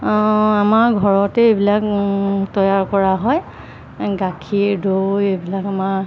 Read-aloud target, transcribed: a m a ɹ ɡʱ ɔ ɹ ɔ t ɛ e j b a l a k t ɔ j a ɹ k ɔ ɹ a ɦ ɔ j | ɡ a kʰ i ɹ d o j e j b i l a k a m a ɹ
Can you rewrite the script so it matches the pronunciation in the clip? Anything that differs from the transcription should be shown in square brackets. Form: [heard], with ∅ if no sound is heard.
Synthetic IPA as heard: a m a ɹ ɡʱ ɔ ɹ ɔ t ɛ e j b [i] l a k t ɔ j a ɹ k ɔ ɹ a ɦ ɔ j | ɡ a kʰ i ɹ d o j e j b i l a k a m a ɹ